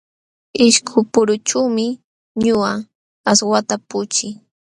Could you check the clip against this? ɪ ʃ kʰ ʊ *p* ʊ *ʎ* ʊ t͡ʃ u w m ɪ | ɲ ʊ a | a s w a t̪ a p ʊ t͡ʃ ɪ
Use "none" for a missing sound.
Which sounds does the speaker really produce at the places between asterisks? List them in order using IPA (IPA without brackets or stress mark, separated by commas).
p, ɾ